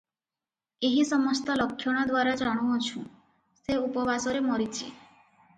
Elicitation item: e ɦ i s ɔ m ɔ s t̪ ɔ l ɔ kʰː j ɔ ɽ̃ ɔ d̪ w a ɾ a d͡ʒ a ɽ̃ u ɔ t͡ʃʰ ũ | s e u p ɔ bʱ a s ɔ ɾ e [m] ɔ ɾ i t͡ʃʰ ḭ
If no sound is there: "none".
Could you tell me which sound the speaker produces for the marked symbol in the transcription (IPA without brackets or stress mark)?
m